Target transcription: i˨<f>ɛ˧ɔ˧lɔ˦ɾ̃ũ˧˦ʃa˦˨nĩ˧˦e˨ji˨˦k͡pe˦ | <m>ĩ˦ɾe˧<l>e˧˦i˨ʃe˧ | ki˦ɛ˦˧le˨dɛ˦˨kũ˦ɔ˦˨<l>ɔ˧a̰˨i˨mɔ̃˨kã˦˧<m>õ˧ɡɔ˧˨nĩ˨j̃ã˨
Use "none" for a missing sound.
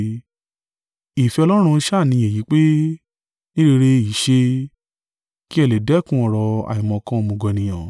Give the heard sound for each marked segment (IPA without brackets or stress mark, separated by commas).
f, n, ɾ, ɾ, m